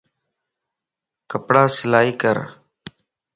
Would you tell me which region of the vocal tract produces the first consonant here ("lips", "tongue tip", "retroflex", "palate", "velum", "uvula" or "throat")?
velum